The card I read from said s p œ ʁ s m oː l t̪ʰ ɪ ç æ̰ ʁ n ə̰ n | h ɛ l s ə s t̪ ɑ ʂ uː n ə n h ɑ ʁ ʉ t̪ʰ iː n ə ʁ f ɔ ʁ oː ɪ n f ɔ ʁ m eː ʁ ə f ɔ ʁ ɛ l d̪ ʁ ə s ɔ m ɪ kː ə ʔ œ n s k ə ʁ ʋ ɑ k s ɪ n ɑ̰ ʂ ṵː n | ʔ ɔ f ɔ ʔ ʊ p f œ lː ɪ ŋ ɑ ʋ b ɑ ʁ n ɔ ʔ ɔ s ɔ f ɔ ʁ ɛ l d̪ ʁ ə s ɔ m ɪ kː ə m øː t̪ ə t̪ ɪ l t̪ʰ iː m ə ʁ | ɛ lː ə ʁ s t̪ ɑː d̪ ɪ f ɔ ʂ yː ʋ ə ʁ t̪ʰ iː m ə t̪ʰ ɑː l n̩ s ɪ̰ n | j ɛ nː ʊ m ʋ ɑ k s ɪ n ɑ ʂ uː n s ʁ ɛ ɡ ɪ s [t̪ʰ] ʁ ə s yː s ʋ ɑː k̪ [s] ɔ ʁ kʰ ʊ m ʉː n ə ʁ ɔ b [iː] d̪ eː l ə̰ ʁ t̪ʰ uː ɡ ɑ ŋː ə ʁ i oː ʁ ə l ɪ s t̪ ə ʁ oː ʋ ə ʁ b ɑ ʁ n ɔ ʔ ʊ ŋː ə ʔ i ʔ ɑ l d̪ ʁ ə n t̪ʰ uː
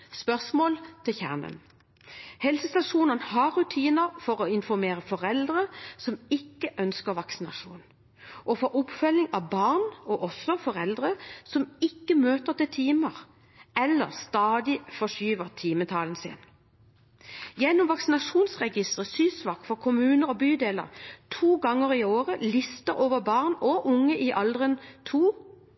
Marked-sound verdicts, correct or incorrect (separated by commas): incorrect, incorrect, incorrect